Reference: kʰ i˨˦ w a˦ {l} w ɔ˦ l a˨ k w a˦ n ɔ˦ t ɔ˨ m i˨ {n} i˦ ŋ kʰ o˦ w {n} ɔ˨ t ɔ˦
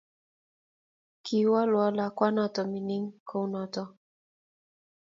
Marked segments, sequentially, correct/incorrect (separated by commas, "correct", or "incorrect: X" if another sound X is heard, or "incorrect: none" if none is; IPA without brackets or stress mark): correct, correct, correct